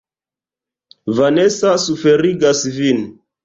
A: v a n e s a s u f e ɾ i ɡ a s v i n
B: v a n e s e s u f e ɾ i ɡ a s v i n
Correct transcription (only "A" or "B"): A